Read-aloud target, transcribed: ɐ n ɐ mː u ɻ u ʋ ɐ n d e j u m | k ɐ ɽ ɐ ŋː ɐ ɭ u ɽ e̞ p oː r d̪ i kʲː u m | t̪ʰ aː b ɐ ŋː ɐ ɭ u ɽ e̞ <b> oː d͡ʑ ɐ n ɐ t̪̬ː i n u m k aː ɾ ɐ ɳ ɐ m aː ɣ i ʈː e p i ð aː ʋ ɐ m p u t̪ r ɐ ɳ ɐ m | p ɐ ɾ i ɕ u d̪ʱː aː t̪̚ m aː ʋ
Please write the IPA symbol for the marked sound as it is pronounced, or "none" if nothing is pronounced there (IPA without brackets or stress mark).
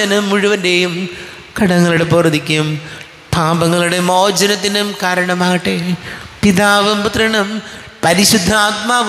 m